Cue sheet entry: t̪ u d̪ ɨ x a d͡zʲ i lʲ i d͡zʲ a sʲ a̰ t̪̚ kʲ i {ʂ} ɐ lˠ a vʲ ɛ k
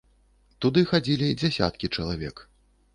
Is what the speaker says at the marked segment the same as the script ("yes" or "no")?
no